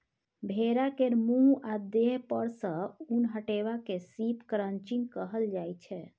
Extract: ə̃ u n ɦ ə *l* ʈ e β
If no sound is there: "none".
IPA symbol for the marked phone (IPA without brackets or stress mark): none